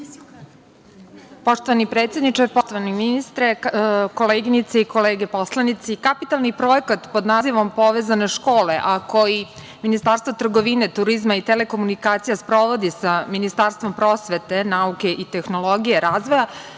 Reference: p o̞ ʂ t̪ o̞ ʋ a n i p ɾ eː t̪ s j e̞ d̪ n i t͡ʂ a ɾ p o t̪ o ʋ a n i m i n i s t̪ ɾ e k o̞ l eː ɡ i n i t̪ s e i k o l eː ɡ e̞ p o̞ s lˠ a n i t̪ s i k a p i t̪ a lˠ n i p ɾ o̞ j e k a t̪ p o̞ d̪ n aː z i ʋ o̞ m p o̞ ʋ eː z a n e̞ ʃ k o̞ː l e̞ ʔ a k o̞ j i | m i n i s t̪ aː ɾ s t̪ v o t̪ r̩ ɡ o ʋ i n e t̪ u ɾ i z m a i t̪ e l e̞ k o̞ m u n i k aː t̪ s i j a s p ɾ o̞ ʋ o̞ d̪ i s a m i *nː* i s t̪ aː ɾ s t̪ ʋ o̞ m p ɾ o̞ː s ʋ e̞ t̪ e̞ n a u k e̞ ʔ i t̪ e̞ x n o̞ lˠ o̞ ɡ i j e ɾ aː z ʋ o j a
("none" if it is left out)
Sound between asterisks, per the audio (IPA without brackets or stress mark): n